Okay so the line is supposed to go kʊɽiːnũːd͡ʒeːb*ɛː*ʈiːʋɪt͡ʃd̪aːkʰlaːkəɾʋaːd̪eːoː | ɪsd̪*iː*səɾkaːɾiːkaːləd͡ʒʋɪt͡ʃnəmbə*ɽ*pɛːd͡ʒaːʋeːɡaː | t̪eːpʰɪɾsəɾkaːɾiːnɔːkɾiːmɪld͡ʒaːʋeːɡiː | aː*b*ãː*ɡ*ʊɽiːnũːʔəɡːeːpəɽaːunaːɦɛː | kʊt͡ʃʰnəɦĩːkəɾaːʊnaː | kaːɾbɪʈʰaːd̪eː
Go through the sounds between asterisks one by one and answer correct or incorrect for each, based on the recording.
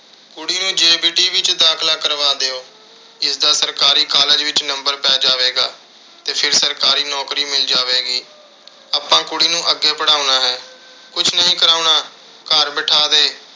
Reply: incorrect, incorrect, incorrect, incorrect, incorrect

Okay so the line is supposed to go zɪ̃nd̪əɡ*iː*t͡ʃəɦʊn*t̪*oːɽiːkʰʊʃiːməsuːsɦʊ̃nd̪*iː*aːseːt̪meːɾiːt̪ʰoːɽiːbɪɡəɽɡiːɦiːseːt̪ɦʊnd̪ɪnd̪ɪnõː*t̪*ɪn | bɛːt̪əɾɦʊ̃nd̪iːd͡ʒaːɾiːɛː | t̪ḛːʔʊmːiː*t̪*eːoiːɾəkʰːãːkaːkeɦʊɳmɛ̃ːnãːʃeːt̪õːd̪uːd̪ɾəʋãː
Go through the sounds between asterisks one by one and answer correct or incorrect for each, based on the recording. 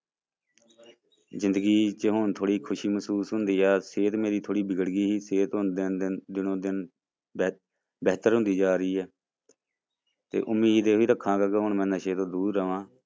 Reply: correct, incorrect, correct, incorrect, incorrect

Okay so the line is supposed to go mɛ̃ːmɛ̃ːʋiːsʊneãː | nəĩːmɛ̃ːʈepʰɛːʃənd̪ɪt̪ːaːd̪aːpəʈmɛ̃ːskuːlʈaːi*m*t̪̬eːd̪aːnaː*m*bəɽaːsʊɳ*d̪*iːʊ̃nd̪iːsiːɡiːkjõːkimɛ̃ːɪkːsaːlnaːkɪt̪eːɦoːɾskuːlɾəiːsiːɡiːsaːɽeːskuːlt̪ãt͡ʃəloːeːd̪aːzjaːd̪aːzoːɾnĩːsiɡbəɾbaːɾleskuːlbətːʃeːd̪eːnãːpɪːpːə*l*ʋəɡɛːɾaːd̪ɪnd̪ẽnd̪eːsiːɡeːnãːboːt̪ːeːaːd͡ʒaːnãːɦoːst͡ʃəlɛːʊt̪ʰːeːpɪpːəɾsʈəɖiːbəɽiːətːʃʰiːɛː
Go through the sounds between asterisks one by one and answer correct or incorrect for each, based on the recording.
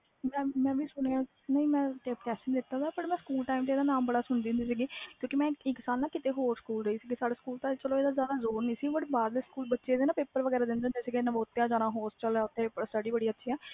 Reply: correct, correct, correct, incorrect

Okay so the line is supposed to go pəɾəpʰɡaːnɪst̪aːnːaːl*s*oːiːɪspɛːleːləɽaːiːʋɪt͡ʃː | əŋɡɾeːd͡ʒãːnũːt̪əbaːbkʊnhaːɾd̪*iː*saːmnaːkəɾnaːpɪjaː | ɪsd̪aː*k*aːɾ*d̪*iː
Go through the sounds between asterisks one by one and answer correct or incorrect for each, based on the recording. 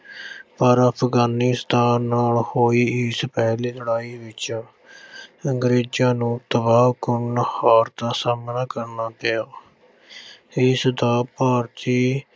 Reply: incorrect, incorrect, incorrect, incorrect

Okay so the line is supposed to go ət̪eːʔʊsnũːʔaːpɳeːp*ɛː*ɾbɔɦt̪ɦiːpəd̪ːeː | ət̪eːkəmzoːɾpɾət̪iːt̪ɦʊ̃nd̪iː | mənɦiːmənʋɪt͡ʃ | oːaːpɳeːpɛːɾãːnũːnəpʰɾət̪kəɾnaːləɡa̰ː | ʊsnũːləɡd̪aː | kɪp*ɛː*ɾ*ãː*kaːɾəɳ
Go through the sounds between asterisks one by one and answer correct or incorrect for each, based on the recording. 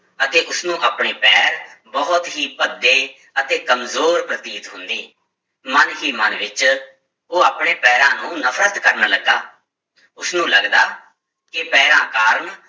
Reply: correct, correct, correct

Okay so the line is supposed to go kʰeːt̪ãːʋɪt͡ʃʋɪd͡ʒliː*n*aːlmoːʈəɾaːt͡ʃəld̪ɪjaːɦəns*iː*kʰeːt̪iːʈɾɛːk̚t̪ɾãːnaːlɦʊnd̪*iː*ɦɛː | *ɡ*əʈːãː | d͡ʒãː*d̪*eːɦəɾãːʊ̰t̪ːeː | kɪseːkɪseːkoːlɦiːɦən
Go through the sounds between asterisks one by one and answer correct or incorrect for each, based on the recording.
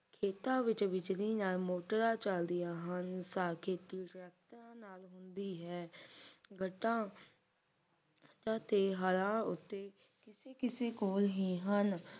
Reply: correct, incorrect, correct, correct, incorrect

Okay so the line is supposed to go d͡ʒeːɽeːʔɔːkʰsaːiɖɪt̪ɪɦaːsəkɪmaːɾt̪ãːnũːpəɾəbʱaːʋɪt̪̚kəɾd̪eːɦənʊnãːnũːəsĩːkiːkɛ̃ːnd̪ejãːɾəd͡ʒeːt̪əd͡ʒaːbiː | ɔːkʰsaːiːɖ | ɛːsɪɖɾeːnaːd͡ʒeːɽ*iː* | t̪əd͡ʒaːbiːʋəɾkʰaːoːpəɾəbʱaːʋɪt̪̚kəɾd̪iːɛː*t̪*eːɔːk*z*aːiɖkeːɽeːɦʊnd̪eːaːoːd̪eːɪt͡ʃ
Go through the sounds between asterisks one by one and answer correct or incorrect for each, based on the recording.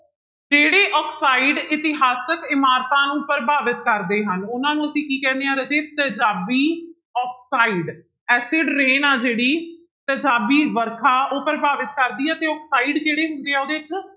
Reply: correct, correct, incorrect

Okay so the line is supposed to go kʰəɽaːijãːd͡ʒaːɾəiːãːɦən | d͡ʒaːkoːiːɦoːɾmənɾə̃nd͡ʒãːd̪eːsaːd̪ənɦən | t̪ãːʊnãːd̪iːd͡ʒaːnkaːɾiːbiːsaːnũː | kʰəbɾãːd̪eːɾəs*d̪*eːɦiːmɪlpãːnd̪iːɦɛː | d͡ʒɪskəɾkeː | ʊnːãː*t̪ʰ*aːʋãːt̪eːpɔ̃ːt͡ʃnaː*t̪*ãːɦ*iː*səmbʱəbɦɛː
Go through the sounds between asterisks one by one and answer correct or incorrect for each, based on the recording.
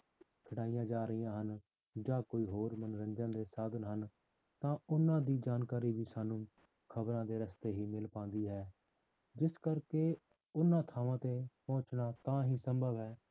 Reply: incorrect, correct, correct, correct

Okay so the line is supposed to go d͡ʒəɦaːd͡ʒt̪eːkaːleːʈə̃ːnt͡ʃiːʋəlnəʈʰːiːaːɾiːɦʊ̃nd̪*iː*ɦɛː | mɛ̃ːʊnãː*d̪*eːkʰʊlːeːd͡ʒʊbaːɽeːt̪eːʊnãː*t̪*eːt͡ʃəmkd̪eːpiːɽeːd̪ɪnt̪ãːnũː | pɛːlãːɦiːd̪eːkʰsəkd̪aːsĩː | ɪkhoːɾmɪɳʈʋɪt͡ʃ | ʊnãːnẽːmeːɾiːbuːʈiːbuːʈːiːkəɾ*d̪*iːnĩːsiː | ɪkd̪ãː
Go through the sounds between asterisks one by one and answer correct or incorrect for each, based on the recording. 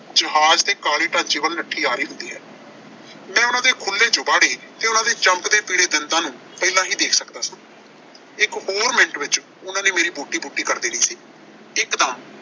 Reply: correct, correct, incorrect, correct

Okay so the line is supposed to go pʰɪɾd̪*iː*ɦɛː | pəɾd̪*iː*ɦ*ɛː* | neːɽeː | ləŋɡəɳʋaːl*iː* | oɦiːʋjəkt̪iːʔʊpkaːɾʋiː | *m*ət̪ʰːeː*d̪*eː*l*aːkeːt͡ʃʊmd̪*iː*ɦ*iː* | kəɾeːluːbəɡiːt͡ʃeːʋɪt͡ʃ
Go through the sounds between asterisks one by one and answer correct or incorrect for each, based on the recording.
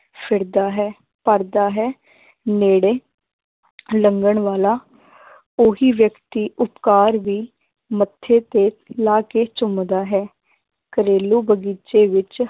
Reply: incorrect, incorrect, correct, incorrect, correct, incorrect, correct, incorrect, incorrect

